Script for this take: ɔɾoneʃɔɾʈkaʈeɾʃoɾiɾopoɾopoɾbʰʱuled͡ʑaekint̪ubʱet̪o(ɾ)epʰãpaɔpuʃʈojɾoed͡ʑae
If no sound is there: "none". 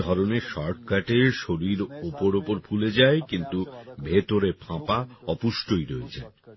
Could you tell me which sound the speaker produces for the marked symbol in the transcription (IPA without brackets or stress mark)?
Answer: ɾ